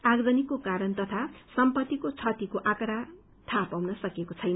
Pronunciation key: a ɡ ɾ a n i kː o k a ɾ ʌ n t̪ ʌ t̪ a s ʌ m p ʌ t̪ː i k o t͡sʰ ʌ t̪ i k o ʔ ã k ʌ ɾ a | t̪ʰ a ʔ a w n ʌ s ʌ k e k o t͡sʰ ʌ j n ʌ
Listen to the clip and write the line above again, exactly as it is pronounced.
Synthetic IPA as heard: a ɡ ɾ ʌ n i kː o k a ɾ ʌ n t̪ ʌ t̪ʰ a s ʌ m p ʌ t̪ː i k o t͡sʰ ʌ t̪ i k o ʔ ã k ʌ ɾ a | t̪ʰ a p a w n ʌ s ʌ k e k o t͡sʰ ʌ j n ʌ

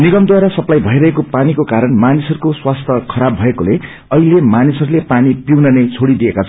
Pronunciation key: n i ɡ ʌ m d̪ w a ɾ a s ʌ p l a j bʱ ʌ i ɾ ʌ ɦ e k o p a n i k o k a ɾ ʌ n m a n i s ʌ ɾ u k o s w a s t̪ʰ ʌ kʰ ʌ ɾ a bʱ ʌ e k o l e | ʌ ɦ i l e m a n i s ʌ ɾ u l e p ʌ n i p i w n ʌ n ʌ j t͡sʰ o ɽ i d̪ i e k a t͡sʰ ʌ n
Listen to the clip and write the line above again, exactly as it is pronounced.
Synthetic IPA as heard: n i ɡ ʌ m d̪ w a ɾ a s ʌ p l a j bʱ ʌ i ɾ ʌ ɦ e k o p a n i k o k a ɾ ʌ n m a n i s ʌ ɾ u k o s w a s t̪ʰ ʌ kʰ ʌ ɾ a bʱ ʌ e k o l e | ʌ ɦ i l e m a n i s ʌ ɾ u l e p a n i p i w n ʌ n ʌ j t͡sʰ o ɽ i d̪ i e k a t͡sʰ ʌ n

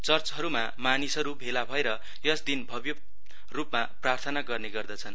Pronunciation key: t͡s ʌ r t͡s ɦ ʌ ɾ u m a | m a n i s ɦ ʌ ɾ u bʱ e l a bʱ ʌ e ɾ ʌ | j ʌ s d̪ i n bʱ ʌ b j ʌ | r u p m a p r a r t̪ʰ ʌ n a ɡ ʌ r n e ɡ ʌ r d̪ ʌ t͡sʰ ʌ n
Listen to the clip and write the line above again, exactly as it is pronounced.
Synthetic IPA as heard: t͡s ʌ r t͡s ɦ ʌ ɾ u m a | m a n i s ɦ ʌ ɾ u bʱ e l a bʱ ʌ e ɾ ʌ | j ʌ s d̪ i n bʱ ʌ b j ʌ | r u p m a p r a r t̪ʰ ʌ n a ɡ ʌ r n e ɡ ʌ r d̪ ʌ t͡sʰ ʌ n

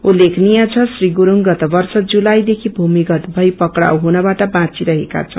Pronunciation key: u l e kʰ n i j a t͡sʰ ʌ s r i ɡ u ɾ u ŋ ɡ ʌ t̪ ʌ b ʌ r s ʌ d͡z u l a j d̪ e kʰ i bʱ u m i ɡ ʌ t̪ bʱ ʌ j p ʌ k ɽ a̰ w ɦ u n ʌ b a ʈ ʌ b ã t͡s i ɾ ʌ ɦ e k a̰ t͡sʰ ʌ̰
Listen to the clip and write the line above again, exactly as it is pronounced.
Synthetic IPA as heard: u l e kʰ n i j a t͡sʰ ʌ s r i ɡ u ɾ u ŋ ɡ ʌ t̪ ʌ b ʌ r s ʌ d͡z u l a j d̪ e kʰ i bʱ u m i ɡ ʌ t̪ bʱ ʌ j p ʌ k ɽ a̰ w ɦ u n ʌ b a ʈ ʌ b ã t͡s i ɾ ʌ ɦ e k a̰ t͡sʰ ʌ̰

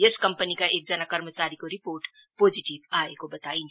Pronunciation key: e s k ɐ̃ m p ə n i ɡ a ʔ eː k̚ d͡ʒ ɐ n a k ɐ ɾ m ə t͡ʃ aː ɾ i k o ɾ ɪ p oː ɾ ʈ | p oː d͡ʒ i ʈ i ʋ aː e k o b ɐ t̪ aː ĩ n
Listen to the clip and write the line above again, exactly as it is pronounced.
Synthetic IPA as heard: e s k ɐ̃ m p ə n i k a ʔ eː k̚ d͡ʒ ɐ n a k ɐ ɾ m ə t͡ʃ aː ɾ i k o ɾ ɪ p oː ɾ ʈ | p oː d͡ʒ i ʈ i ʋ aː e k o b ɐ t̪ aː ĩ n

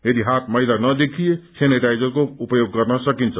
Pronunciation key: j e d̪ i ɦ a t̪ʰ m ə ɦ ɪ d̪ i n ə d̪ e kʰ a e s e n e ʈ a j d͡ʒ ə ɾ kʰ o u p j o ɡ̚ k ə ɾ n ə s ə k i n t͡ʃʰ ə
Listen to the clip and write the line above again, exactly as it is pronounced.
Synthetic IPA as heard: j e d̪ i ɦ a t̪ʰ m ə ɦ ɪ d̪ a n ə d̪ e kʰ i e s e n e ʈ a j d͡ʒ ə ɾ k o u p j o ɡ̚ k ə ɾ n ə s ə k i n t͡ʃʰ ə

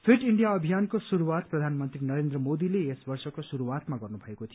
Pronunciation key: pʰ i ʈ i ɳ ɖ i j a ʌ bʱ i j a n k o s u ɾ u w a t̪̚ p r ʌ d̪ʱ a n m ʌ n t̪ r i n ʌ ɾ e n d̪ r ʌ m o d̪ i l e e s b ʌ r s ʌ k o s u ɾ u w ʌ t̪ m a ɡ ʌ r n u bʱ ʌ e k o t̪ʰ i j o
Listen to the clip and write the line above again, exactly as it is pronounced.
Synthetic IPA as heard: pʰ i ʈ i ɳ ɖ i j a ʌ bʱ i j a n k o s u ɾ u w a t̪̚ p r ʌ d̪ʱ a n m ʌ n t̪ r i n ʌ ɾ e n d̪ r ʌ m o d̪ i l e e s b ʌ r s ʌ k o s u ɾ u w a t̪ m a ɡ ʌ r n u bʱ ʌ e k o t̪ʰ i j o

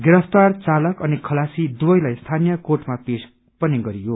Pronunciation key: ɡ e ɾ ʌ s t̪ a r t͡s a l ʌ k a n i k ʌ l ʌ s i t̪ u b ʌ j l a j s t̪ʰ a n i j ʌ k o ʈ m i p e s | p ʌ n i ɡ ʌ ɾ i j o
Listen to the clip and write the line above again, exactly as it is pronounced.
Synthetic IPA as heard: ɡ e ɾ ʌ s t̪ a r t͡s a l ʌ k ʌ n i kʰ ʌ l a s i d̪ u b ʌ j l a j s t̪ʰ a n i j ʌ k o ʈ m a p e s | p ʌ n i ɡ ʌ ɾ i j o

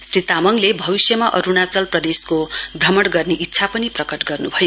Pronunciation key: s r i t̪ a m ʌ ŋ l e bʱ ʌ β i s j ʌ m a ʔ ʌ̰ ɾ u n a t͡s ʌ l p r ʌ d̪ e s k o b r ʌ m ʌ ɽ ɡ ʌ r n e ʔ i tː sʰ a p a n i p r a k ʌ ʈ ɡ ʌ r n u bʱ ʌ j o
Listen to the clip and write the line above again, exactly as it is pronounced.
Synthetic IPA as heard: s r i t̪ a m ʌ ŋ l e bʱ ʌ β i s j ʌ m a ʔ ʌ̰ ɾ u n a t͡s ʌ l p r ʌ d̪ e s k o b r ʌ m ʌ ɽ ɡ ʌ r n e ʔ i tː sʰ a p ʌ n i p r ʌ k ʌ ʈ ɡ ʌ r n u bʱ ʌ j o

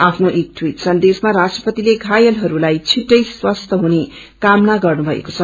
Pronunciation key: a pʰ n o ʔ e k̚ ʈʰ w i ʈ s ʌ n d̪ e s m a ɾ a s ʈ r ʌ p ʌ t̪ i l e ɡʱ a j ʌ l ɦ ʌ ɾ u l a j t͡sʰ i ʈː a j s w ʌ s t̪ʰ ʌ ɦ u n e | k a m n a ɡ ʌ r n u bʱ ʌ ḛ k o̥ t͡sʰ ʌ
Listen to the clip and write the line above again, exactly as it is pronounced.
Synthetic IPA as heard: a pʰ n o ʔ e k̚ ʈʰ w i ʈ s ʌ n d̪ e s m a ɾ a s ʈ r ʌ p ʌ t̪ i l e ɡʱ a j ʌ l ɦ ʌ ɾ u l a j t͡sʰ i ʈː ʌ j s w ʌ s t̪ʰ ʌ ɦ u n e | k a m n a ɡ ʌ r n u bʱ ʌ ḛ k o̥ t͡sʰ ʌ

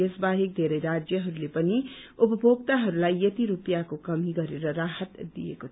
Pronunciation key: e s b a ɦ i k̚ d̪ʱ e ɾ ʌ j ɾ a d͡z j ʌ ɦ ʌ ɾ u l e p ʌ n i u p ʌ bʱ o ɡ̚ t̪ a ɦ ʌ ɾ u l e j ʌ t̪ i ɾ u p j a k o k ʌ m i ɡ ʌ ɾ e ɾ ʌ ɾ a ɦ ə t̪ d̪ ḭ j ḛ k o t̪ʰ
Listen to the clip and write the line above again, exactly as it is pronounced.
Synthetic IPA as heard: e s b a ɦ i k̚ d̪ʱ e ɾ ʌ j ɾ a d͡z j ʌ ɦ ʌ ɾ u l e p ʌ n i u p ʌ bʱ o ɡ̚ t̪ a ɦ ʌ ɾ u l a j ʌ t̪ i ɾ u p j a k o k ʌ m i ɡ ʌ ɾ e ɾ ʌ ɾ a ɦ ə t̪ d̪ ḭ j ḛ k o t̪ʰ

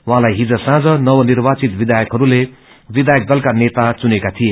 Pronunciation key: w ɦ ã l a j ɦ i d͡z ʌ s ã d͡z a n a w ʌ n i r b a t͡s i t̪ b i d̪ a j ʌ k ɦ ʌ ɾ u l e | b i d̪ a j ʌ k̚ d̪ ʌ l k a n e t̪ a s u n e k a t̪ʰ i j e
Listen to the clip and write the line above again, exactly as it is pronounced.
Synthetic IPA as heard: w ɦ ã l a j ɦ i d͡z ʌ s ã d͡z ʌ n ʌ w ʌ n i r b a t͡s i t̪ b i d̪ a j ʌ k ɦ ʌ ɾ u l e | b i d̪ a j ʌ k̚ d̪ ʌ l k a n e t̪ a t͡s u n e k a t̪ʰ i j e

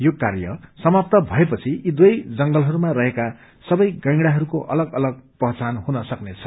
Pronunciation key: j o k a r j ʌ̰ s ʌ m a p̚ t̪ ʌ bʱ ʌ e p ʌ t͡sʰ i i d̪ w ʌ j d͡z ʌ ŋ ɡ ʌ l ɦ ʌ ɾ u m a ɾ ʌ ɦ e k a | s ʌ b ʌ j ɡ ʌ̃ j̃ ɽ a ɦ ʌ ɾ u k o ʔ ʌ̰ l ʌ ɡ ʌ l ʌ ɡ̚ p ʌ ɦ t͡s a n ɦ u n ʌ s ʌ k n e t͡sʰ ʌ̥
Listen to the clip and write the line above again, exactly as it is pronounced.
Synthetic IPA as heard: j o k a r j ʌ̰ s ʌ m a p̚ t̪ ʌ bʱ ʌ e p ʌ t͡sʰ i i d̪ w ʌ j d͡z ʌ ŋ ɡ ʌ l ɦ ʌ ɾ u m a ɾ ʌ ɦ e k a | s ʌ b ʌ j ɡ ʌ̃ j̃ ɽ a ɦ ʌ ɾ u k o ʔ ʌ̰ l ʌ ɡ ʌ l ʌ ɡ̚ p ʌ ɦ t͡s a n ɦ u n ʌ s ʌ k n e t͡sʰ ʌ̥

